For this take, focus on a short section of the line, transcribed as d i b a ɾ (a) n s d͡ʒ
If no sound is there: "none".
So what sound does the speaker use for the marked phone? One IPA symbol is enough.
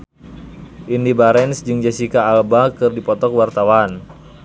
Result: ɛ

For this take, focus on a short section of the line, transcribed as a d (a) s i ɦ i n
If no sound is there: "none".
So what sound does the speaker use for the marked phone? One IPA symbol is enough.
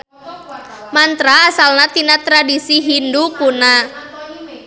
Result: i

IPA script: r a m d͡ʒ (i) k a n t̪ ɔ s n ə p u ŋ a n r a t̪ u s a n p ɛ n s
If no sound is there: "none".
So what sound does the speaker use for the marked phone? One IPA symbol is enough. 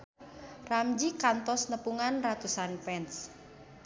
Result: i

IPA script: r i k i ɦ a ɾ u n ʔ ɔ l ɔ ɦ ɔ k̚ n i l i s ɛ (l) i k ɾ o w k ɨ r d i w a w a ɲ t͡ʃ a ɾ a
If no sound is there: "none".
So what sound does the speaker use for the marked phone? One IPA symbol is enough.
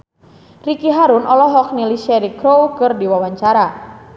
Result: ɾ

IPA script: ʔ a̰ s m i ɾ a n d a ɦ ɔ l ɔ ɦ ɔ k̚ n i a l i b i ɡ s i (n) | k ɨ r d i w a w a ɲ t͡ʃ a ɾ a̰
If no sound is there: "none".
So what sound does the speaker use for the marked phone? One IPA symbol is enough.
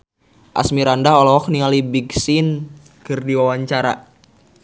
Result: n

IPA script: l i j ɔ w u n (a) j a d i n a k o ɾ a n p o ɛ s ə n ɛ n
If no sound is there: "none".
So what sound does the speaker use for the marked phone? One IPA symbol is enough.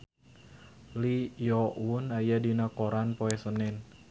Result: a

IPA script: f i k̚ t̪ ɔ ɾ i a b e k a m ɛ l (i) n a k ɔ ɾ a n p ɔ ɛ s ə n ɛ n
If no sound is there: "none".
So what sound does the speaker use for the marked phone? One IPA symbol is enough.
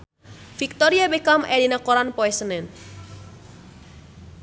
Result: i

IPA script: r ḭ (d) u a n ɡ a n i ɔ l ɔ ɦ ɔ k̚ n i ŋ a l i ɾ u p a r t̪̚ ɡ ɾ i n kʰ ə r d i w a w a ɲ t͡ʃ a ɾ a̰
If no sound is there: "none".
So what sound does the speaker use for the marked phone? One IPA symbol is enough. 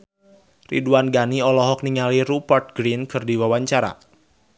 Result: d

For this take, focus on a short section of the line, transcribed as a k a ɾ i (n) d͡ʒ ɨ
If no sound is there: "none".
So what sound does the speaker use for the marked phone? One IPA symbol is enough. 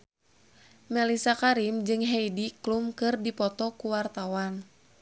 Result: m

